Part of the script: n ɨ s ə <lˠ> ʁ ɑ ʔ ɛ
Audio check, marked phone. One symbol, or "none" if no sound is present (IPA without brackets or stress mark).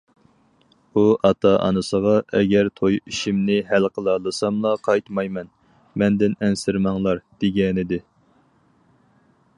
none